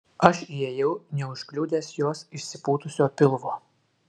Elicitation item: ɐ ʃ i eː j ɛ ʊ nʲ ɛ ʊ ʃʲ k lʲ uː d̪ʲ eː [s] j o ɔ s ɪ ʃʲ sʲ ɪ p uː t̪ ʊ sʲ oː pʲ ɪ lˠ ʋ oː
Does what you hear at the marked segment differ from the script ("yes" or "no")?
no